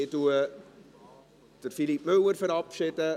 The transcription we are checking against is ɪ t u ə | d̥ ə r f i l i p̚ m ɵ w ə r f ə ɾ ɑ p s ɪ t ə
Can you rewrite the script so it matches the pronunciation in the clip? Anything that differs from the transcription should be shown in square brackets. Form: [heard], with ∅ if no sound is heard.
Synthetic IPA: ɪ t u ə | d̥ ə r f i l i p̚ m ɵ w ə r f ə ɾ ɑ p [ʃ] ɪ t ə